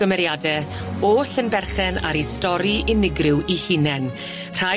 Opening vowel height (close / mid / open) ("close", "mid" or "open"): mid